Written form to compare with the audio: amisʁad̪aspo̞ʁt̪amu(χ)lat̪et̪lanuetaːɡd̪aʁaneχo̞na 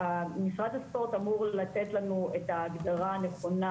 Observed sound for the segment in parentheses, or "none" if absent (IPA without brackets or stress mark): ʁ